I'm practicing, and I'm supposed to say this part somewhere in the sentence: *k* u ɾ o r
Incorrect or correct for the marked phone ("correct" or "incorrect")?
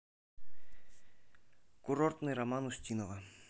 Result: correct